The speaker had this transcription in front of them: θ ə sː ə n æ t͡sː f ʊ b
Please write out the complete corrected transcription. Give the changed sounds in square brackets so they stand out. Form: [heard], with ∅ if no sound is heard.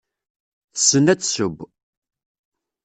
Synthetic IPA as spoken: θ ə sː ə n æ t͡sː [s] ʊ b